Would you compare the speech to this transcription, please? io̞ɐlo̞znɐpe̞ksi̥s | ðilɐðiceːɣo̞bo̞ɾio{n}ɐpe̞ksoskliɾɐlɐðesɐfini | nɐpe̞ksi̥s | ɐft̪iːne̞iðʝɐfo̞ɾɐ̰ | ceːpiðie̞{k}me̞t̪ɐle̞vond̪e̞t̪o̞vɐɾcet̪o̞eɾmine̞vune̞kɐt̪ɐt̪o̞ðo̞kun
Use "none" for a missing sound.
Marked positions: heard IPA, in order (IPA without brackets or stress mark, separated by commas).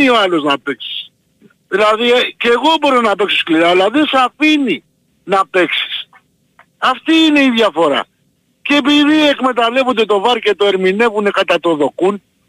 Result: n, k